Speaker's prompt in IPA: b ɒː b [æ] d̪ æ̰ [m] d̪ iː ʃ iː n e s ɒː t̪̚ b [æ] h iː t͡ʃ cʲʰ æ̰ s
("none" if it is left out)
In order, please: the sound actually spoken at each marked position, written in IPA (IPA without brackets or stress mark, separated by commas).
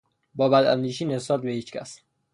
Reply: æ, n, e